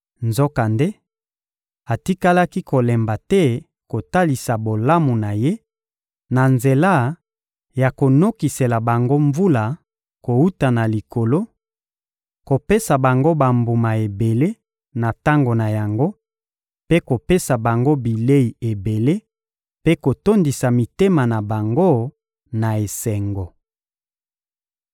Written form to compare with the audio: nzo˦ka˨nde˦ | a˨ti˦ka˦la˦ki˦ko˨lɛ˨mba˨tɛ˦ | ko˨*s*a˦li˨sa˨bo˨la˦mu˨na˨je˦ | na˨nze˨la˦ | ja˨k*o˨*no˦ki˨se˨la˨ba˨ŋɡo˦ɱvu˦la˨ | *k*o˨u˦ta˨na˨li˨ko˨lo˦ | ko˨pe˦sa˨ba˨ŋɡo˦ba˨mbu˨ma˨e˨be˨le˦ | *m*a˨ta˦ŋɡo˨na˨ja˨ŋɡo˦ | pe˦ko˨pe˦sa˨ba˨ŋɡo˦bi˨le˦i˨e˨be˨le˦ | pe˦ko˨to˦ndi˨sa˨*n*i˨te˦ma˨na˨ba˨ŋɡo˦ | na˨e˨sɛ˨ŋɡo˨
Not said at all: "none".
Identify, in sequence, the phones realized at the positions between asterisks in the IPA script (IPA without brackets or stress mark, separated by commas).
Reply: t, o˨, k, n, m